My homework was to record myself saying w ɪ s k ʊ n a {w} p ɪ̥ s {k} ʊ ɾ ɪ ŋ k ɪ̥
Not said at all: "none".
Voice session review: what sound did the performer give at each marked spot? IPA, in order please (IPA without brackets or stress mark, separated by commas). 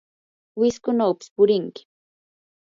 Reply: w, p